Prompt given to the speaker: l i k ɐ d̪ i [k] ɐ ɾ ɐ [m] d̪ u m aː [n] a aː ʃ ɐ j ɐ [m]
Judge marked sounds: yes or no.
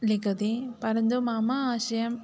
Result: no, no, no, yes

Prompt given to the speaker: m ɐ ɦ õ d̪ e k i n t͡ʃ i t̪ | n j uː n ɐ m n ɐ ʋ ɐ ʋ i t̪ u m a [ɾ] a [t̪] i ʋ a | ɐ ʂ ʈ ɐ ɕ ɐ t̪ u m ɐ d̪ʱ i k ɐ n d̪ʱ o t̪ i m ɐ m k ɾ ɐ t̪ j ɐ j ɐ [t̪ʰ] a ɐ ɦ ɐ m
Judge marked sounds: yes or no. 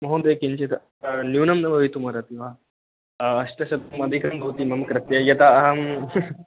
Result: yes, yes, no

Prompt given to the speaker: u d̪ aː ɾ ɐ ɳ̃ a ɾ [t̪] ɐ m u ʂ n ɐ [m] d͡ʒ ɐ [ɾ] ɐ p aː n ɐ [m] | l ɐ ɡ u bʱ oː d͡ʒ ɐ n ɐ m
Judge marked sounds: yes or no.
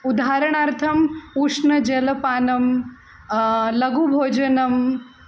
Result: no, no, no, yes

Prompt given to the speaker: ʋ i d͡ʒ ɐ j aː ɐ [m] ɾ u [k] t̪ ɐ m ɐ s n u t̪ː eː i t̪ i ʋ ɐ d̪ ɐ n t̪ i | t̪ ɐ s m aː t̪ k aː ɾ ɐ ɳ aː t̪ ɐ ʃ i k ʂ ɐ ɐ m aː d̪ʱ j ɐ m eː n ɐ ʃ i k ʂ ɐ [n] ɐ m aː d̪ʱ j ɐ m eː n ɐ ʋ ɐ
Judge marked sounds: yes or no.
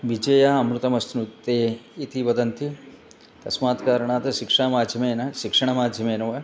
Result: yes, no, no

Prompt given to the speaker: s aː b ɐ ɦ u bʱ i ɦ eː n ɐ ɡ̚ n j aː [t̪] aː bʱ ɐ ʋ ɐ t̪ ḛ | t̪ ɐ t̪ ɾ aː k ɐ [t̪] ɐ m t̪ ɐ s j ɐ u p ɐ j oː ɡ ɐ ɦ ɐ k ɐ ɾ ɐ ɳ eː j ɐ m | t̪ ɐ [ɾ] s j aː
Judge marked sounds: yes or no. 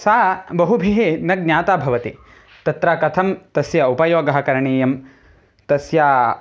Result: yes, no, no

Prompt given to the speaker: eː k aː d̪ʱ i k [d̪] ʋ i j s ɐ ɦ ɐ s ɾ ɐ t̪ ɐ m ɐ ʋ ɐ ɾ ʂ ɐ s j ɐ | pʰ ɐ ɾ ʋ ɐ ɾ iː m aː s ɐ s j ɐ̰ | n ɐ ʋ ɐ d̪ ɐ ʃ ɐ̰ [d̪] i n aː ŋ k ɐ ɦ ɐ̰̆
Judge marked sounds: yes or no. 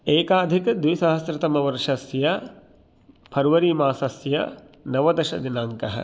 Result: yes, yes

